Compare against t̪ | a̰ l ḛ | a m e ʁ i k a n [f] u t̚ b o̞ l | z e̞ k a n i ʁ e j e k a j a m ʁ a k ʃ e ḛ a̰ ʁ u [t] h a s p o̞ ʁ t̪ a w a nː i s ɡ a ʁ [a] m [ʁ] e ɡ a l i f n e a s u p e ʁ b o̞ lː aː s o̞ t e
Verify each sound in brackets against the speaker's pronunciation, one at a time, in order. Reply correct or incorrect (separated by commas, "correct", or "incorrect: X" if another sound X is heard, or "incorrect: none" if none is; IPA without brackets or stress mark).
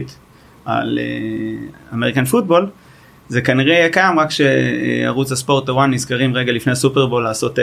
correct, incorrect: t͡s, incorrect: i, correct